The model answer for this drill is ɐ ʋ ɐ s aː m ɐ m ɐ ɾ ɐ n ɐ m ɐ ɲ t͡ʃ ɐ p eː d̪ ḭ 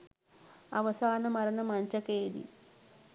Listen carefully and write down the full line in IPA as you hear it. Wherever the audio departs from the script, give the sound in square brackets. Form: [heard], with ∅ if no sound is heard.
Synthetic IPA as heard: ɐ ʋ ɐ s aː [n] ɐ m ɐ ɾ ɐ n ɐ m ɐ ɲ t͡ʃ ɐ [k] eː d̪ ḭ